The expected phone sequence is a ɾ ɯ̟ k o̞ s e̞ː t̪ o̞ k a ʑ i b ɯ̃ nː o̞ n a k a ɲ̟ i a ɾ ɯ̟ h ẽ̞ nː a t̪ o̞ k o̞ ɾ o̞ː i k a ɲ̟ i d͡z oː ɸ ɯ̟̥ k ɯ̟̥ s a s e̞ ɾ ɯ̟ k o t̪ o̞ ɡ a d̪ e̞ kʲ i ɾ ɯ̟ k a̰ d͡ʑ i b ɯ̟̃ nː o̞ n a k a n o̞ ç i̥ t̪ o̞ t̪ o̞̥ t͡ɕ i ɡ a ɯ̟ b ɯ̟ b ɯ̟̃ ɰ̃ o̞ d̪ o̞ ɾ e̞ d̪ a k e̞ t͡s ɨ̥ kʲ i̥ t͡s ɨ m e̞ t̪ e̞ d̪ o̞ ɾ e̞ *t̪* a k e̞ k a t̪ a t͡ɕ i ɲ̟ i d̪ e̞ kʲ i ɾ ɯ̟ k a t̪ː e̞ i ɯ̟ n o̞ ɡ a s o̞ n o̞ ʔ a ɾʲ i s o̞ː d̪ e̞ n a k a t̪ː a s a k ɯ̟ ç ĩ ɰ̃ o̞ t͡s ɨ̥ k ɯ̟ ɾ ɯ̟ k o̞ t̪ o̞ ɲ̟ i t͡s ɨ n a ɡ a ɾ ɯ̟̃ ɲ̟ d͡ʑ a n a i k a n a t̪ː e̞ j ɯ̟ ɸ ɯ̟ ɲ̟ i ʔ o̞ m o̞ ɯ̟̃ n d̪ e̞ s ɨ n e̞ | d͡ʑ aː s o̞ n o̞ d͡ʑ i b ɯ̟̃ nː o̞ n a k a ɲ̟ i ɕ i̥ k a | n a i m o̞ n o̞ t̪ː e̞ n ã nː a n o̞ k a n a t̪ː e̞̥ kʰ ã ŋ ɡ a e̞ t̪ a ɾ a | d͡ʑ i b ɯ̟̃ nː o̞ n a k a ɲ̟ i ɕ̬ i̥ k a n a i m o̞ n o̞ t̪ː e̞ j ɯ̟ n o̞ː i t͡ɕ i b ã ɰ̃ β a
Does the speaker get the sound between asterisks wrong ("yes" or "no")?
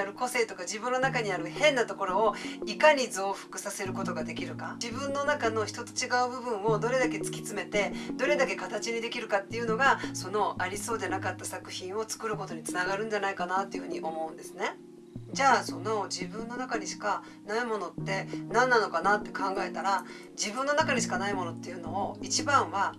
yes